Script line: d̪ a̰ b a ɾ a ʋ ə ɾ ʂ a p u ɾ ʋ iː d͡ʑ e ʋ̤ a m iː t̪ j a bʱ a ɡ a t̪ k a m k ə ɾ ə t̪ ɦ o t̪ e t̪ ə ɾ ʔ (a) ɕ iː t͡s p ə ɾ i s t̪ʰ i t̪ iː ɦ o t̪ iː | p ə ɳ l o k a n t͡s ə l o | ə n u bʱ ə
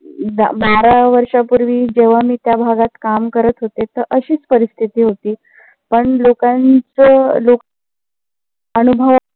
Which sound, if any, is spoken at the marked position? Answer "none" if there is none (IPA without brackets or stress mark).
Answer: ə